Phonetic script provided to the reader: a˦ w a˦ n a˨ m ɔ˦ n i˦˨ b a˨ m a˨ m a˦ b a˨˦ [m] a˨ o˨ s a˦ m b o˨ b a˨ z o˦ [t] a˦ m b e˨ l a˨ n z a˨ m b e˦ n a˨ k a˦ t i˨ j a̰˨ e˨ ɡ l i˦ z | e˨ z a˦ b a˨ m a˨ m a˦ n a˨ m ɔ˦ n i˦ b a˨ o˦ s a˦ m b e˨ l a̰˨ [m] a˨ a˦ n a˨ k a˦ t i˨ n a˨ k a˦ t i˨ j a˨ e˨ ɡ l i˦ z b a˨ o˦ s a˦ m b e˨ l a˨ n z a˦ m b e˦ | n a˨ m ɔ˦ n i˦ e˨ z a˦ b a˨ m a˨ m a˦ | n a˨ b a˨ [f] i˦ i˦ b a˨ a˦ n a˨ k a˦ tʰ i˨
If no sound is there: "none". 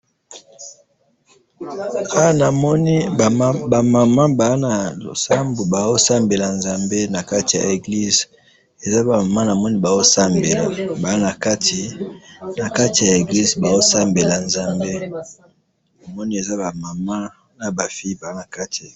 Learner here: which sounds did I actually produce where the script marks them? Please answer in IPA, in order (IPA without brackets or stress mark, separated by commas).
n, s, b, f